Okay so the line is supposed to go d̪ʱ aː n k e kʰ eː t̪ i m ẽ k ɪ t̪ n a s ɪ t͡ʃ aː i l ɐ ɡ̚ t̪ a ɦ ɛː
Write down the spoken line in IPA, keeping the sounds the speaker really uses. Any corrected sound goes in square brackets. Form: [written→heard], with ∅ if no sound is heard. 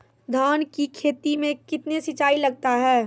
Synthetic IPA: d̪ʱ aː n k [e→i] kʰ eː t̪ i m ẽ k ɪ t̪ n [a→e] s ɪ t͡ʃ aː i l ɐ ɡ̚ t̪ a ɦ ɛː